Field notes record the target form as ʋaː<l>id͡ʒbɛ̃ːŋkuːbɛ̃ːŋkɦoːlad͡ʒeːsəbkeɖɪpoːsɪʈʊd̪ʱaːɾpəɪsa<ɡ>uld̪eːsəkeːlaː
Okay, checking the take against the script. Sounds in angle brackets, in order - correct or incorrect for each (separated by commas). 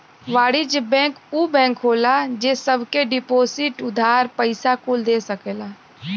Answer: incorrect, incorrect